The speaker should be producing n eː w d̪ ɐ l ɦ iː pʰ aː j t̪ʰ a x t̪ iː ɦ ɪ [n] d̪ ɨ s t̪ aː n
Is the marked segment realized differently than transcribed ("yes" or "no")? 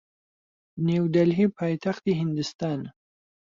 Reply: no